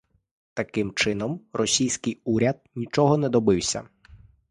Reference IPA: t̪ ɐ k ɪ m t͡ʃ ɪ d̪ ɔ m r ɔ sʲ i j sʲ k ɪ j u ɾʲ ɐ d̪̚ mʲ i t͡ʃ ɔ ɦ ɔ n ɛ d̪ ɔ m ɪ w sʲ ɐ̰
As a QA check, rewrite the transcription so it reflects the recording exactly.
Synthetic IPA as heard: t̪ ɐ k ɪ m t͡ʃ ɪ n̪ ɔ m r ɔ sʲ i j sʲ k ɪ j u ɾʲ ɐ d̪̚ nʲ i t͡ʃ ɔ ɦ ɔ n ɛ d̪ ɔ b ɪ w sʲ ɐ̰